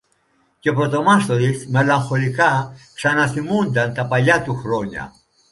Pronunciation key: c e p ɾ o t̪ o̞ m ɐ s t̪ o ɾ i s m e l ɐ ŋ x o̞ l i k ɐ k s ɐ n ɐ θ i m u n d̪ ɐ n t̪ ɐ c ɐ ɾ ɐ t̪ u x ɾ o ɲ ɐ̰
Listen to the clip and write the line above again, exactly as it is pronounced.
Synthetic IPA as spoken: c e p ɾ o t̪ o̞ m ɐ s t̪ o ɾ i s m e l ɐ ŋ x o̞ l i k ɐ k s ɐ n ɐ θ i m u n d̪ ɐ n t̪ ɐ p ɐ ʎ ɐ t̪ u x ɾ o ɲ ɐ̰